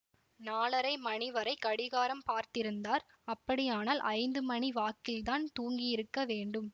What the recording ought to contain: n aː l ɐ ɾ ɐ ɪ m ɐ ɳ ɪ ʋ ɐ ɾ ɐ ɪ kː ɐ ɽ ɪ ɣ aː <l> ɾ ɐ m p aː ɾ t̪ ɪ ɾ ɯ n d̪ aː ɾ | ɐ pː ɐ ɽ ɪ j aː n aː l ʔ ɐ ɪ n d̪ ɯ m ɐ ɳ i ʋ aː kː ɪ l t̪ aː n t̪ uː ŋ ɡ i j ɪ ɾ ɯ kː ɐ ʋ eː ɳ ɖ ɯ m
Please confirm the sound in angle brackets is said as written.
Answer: no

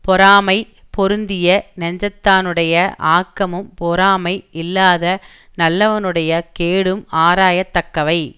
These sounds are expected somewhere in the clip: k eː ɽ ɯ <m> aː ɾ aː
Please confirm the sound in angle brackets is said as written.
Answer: yes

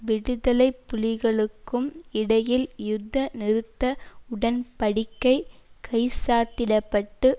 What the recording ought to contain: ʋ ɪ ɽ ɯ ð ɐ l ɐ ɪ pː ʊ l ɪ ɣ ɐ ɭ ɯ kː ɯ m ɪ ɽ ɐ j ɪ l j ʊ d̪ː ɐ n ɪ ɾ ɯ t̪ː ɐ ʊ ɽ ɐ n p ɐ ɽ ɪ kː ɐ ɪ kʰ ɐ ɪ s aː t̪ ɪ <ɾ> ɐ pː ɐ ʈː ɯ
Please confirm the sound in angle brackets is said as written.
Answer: no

